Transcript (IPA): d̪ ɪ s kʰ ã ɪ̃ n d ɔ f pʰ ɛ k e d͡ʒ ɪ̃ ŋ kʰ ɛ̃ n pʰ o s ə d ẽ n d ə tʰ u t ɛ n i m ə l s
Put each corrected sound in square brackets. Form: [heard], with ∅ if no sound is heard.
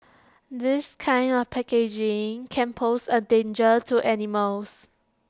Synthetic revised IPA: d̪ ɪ s kʰ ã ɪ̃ n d ɔ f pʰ ɛ k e d͡ʒ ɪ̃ ŋ kʰ ɛ̃ n pʰ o s ə d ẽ n [d͡ʒ] ə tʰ u [ʔ] ɛ n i m ə l s